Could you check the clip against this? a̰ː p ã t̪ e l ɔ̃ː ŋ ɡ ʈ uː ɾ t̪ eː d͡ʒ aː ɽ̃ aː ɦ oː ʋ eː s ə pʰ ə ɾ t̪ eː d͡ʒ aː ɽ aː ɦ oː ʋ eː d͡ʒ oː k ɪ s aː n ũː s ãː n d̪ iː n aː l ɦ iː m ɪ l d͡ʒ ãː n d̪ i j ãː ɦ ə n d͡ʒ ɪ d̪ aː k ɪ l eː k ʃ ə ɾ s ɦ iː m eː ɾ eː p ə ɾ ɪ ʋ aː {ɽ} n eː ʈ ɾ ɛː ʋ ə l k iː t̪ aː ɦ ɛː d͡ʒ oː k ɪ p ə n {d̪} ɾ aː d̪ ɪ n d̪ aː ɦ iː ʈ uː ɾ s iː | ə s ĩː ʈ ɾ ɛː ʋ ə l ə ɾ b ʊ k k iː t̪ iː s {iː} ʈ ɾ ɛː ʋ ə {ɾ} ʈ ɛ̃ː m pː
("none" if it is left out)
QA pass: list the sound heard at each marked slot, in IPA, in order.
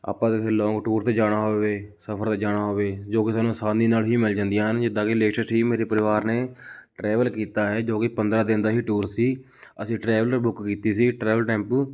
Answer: ɾ, d̪, iː, l

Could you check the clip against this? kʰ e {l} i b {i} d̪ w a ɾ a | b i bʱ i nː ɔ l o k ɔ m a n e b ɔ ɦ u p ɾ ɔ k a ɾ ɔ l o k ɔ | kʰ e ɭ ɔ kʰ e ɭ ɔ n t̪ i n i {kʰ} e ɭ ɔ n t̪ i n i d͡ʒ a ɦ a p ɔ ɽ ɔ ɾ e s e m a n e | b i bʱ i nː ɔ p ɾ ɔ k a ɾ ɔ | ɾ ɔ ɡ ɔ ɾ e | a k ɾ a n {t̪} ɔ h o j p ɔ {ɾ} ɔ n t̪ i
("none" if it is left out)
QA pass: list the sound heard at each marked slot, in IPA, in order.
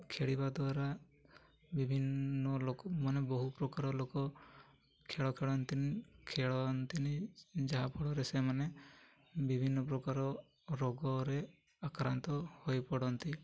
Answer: ɽ, a, kʰ, t̪, ɽ

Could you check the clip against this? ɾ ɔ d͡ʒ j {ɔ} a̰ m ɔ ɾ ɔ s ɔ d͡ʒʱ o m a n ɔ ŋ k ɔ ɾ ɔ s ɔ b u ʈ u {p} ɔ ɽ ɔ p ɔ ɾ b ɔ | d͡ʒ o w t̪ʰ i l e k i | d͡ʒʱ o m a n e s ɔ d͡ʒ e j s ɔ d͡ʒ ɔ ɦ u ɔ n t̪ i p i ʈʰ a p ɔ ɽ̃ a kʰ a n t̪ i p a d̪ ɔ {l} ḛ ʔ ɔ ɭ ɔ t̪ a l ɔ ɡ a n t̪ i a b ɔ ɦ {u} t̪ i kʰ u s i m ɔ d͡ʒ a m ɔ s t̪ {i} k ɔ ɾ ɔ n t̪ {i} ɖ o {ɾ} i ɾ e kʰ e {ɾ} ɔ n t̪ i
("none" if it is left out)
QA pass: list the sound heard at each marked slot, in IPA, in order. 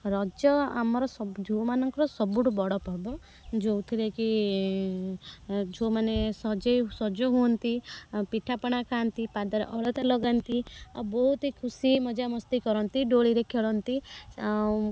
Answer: ɔ, b, ɾ, u, i, i, ɭ, ɭ

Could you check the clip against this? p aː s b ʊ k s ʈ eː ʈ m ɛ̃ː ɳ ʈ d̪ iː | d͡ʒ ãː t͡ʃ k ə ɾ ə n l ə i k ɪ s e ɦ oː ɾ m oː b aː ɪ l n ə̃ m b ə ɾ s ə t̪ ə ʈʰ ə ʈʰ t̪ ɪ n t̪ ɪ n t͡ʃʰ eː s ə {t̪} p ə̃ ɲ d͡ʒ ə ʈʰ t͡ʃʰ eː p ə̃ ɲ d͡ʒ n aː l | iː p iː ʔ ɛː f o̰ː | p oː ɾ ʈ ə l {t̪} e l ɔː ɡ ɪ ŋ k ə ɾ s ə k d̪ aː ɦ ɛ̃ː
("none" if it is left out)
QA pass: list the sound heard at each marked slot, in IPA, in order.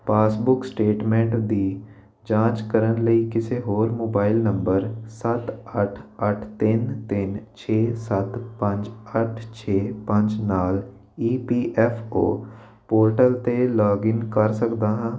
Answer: t̪, t̪

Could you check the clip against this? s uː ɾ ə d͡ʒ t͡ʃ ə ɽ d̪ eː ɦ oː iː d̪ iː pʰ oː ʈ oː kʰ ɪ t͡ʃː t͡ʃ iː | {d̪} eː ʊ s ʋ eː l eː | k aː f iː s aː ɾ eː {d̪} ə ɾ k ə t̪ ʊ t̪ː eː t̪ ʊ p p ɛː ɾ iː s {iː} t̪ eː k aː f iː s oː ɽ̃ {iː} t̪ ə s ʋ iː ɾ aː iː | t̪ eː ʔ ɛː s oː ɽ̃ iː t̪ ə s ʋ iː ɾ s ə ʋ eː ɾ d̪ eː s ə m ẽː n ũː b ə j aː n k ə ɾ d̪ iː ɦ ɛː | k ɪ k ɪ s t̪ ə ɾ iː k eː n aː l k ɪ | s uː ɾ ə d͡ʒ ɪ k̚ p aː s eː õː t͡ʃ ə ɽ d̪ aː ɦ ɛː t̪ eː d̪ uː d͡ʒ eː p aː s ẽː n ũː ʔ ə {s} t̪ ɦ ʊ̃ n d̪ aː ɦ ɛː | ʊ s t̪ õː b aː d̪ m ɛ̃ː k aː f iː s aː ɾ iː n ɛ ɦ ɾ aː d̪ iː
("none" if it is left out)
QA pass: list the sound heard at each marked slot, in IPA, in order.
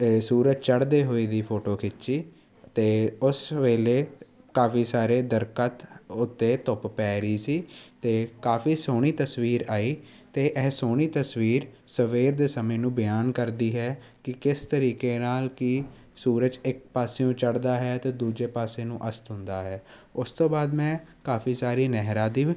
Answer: t̪, d̪, iː, iː, s

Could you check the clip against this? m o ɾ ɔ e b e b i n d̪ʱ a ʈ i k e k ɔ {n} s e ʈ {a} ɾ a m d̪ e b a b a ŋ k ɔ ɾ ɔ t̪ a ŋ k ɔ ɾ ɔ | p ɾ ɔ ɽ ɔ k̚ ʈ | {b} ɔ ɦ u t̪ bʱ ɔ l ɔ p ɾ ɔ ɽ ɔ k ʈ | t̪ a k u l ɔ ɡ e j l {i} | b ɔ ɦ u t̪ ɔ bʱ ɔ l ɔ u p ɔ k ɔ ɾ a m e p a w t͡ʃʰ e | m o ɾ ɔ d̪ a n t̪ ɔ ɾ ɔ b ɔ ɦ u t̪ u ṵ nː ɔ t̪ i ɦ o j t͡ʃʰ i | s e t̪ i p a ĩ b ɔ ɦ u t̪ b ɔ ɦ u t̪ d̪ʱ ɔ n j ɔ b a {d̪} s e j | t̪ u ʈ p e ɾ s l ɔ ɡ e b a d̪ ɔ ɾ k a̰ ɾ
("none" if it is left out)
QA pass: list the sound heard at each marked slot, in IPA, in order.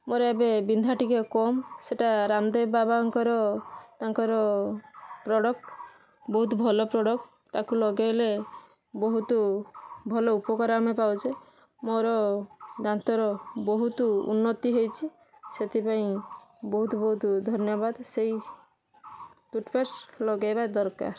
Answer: m, a, b, e, d̪

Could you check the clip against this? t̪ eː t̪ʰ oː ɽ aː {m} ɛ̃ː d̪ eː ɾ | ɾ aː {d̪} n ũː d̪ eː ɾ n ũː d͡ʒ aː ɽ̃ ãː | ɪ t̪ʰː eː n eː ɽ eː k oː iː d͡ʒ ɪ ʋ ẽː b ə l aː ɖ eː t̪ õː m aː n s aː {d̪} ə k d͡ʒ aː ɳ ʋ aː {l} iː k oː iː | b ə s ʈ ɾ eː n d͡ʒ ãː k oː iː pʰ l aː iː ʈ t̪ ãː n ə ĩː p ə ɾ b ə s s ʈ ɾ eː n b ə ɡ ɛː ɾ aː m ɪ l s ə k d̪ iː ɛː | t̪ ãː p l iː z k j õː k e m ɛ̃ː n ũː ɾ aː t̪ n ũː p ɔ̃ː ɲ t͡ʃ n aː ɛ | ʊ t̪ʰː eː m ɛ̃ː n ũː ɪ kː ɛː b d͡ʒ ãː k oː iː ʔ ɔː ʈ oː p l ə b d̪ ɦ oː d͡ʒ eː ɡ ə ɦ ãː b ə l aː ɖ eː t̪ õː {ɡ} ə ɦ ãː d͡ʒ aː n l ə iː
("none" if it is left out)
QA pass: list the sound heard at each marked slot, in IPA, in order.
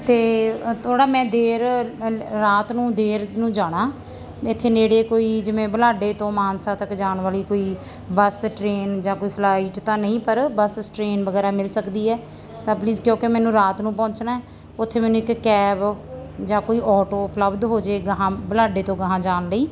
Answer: m, t̪, t̪, l, ɡ

